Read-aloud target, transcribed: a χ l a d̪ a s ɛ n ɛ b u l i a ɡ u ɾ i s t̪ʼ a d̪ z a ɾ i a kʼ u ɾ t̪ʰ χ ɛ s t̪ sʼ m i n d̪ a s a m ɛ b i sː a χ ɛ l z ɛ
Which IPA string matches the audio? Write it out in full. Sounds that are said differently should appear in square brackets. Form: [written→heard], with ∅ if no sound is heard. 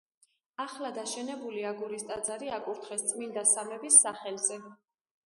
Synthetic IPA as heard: a χ l a d̪ a [s→ʃ] ɛ n ɛ b u l i a ɡ u ɾ i s t̪ʼ a d̪ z a ɾ i a kʼ u ɾ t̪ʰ χ ɛ s t̪ sʼ m i n d̪ a s a m ɛ b i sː a χ ɛ l z ɛ